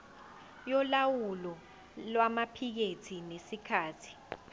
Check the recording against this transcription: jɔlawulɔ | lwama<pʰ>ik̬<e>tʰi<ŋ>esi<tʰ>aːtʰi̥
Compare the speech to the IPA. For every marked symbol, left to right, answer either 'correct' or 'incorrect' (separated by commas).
correct, correct, incorrect, incorrect